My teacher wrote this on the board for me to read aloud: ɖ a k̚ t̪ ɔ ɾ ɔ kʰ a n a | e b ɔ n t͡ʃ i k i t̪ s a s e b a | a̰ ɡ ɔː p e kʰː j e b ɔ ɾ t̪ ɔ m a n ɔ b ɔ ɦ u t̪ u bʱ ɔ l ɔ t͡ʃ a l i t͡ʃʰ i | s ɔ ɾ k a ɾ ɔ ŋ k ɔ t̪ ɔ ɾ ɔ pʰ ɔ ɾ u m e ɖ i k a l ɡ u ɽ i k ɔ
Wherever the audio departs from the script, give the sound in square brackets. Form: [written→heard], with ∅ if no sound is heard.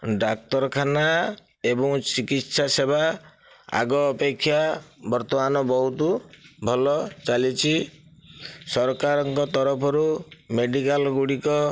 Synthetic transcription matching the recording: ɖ a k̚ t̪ ɔ ɾ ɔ kʰ a n a | e b ɔ [n→ŋ] t͡ʃ i k i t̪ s a s e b a | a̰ ɡ ɔː p e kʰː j [e→a] b ɔ ɾ t̪ ɔ m a n ɔ b ɔ ɦ u t̪ u bʱ ɔ l ɔ t͡ʃ a l i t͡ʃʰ i | s ɔ ɾ k a ɾ ɔ ŋ k ɔ t̪ ɔ ɾ ɔ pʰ ɔ ɾ u m e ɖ i k a l ɡ u ɽ i k ɔ